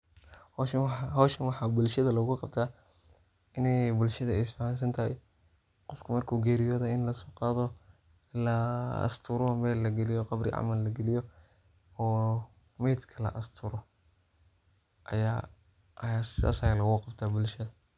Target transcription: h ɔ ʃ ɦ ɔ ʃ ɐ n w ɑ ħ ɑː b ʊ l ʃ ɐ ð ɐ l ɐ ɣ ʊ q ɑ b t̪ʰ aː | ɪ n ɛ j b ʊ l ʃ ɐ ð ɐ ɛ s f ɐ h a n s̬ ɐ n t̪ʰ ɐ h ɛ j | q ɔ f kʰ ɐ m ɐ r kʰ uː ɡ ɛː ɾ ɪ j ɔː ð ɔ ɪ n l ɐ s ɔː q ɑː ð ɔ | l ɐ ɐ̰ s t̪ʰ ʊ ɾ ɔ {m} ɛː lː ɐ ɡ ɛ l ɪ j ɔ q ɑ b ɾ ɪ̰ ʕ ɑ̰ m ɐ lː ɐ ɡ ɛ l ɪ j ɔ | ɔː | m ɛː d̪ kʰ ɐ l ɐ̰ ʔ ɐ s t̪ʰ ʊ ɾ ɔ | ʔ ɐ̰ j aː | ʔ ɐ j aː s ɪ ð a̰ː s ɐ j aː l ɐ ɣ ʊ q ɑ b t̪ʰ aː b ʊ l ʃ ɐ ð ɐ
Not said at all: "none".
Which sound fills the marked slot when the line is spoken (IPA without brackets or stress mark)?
m